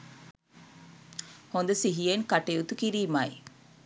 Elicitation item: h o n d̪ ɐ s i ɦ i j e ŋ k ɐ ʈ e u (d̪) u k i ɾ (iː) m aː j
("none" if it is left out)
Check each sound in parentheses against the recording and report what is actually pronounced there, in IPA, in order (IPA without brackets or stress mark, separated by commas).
t̪, iː